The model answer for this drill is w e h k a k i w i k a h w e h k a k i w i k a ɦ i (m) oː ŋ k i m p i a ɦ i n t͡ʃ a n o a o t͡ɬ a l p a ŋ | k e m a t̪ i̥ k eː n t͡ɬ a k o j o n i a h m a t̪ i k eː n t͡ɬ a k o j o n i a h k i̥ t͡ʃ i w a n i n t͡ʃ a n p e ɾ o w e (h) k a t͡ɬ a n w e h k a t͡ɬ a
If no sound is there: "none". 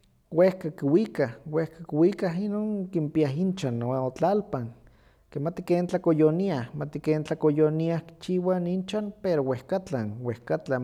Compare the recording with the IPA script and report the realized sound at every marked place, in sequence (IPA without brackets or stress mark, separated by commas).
n, h